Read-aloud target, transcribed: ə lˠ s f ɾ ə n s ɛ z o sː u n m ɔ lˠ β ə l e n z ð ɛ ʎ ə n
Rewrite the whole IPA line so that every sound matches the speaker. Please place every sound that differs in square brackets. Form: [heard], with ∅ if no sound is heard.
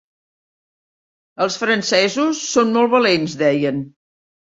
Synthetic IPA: ə lˠ s f ɾ ə n s ɛ z [u] sː [o] n m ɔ lˠ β ə l e n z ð ɛ [j] ə n